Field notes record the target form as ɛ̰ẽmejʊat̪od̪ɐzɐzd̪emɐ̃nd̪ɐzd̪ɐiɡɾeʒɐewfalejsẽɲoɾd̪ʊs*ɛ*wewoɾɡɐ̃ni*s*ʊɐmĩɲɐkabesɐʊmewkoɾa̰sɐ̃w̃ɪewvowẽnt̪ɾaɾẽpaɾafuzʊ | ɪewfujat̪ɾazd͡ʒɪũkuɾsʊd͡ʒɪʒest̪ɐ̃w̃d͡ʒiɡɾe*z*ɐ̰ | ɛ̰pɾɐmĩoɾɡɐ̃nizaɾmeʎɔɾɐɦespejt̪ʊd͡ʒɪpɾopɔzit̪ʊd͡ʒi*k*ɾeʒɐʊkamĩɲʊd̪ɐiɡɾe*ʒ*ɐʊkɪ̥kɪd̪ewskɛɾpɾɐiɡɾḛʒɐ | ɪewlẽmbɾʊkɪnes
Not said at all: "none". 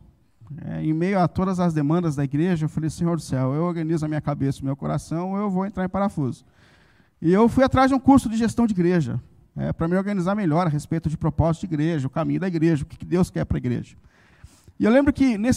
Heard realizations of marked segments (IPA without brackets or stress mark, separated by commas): ɛ, z, ʒ, ɡ, ʒ